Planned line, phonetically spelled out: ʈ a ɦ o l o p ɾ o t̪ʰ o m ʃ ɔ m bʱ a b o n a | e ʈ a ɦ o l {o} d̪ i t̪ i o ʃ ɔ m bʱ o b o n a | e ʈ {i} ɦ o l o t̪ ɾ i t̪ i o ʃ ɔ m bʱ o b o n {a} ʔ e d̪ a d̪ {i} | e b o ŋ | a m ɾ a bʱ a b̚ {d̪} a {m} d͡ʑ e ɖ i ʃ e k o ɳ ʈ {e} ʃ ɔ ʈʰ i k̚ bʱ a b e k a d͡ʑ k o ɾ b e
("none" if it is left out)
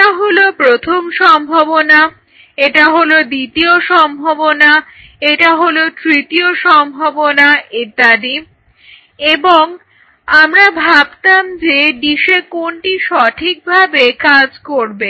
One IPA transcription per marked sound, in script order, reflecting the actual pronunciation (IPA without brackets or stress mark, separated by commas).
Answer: o, a, a, i, t̪, m, i